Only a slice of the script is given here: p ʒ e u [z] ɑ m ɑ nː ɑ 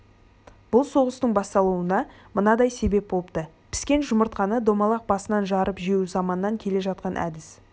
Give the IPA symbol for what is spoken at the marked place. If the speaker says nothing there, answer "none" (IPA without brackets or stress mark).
z